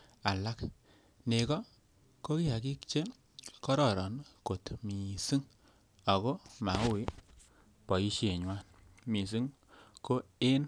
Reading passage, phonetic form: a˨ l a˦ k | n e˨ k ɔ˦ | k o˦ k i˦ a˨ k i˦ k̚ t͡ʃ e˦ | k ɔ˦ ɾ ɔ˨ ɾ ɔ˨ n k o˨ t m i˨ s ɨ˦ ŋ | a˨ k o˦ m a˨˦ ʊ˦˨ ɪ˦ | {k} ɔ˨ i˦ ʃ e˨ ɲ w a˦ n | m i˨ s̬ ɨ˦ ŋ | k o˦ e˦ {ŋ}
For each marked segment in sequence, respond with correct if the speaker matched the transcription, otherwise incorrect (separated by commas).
incorrect, incorrect